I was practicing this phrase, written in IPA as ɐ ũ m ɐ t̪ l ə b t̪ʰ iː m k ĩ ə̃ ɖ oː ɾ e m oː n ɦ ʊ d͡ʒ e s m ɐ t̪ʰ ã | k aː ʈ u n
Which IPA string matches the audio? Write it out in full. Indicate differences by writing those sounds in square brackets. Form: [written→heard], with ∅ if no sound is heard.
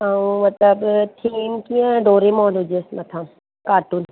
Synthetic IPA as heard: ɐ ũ m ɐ t̪ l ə b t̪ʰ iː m k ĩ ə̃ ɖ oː ɾ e m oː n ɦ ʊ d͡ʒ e s m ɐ t̪ʰ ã | k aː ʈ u n